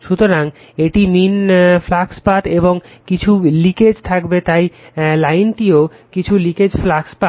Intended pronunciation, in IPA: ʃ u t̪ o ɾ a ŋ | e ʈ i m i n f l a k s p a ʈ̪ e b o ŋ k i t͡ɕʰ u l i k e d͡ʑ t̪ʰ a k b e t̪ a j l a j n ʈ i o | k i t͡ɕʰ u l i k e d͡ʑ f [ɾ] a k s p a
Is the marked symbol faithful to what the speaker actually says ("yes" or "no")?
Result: no